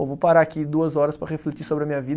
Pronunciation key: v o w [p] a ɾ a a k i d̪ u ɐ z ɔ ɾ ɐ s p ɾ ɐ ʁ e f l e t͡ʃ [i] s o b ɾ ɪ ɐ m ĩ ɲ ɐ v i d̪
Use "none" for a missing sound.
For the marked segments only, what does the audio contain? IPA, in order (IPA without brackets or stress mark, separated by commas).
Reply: p, i